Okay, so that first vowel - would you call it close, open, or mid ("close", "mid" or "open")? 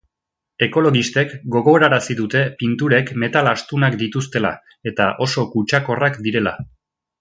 mid